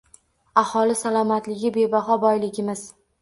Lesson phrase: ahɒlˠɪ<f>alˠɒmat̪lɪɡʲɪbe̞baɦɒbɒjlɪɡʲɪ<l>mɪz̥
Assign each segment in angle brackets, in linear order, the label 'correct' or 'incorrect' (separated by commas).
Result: incorrect, incorrect